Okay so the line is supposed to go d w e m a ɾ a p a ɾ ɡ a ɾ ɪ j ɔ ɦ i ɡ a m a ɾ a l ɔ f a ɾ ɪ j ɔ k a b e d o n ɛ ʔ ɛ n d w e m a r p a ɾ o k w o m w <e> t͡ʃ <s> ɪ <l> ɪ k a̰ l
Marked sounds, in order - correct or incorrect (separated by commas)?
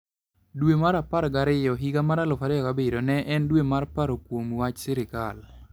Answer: incorrect, correct, incorrect